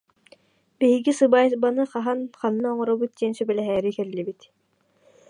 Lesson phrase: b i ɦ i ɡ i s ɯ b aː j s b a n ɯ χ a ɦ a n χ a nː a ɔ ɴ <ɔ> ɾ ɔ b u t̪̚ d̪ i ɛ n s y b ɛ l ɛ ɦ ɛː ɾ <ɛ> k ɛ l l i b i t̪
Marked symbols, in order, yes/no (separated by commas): yes, no